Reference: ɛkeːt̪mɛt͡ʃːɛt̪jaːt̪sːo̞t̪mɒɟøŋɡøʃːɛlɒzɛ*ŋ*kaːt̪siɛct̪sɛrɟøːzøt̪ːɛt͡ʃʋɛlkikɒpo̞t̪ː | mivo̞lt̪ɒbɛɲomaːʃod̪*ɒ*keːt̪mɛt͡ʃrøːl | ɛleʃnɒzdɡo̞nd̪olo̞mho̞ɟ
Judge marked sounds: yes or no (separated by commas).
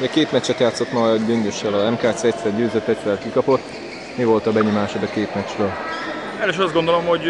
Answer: no, yes